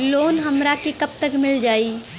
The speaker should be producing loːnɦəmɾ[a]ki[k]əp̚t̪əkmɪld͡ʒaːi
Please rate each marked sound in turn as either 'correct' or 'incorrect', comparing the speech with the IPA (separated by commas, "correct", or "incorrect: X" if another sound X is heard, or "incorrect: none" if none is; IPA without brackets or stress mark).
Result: correct, correct